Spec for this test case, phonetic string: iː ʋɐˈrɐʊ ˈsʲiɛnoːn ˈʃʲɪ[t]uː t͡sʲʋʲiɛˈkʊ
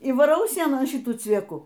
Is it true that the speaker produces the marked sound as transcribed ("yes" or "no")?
yes